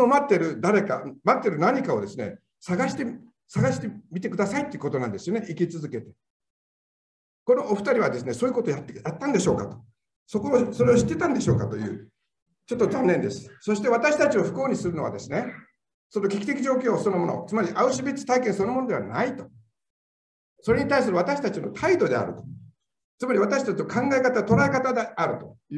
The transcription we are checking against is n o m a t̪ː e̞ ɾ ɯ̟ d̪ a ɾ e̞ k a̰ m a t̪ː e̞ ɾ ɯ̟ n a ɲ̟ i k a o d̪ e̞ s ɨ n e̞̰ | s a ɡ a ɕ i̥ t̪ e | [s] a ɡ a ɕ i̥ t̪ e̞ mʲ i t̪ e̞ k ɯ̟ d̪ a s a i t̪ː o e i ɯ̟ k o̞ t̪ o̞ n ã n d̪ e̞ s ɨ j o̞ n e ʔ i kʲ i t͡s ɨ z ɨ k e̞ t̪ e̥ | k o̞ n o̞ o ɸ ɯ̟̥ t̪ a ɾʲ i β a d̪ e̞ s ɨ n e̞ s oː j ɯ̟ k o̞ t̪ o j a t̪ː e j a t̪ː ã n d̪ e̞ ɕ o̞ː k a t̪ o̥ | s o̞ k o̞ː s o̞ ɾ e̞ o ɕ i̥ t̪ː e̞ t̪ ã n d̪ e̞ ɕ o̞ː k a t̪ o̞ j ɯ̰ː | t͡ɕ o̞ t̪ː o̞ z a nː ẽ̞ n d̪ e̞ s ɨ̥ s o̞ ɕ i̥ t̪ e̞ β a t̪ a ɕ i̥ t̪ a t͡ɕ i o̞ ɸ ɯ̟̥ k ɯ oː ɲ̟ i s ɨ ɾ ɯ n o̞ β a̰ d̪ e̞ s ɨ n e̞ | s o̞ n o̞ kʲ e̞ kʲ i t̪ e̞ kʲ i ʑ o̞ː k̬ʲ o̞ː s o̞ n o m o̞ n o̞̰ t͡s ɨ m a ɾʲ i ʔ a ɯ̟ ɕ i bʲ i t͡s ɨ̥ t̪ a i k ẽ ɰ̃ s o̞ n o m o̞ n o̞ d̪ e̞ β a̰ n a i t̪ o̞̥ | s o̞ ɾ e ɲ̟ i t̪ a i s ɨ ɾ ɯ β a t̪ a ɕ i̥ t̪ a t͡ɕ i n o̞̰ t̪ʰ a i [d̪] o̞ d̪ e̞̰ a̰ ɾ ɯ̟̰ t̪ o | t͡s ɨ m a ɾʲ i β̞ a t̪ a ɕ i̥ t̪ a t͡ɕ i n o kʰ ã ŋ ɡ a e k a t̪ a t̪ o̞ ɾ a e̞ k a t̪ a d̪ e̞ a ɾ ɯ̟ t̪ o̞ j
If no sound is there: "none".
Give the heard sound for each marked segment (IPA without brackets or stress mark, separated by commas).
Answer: s, d̪